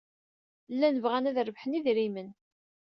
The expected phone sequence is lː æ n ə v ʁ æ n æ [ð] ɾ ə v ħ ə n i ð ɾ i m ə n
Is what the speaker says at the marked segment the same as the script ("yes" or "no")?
yes